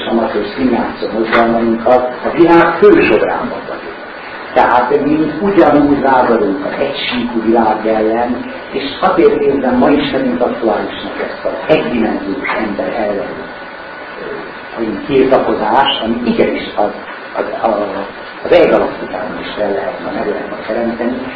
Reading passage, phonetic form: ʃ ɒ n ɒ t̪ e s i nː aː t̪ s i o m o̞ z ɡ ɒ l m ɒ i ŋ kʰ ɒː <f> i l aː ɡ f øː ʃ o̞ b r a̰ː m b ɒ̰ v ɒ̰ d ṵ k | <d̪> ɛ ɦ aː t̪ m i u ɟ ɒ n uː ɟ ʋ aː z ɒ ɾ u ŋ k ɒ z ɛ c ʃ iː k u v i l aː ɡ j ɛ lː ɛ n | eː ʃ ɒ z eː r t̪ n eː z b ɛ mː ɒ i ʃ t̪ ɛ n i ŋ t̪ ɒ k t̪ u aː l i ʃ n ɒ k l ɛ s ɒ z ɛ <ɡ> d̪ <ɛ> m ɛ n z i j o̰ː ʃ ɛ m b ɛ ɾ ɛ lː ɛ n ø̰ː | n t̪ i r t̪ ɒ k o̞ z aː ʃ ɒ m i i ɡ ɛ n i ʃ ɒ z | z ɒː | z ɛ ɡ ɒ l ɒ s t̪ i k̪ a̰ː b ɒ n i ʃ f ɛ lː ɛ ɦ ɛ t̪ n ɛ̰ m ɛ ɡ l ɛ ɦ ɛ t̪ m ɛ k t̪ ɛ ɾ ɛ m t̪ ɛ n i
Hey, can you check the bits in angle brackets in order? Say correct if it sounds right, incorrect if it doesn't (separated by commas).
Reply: incorrect, incorrect, incorrect, incorrect